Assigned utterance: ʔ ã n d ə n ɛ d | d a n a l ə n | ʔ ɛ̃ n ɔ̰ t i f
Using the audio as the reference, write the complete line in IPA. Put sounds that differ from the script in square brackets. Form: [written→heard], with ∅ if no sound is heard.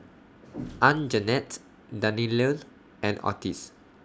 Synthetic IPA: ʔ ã n [d→d͡ʒ] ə n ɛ [d→t] | d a n [a→i] l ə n | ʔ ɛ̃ n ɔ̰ t i [f→s]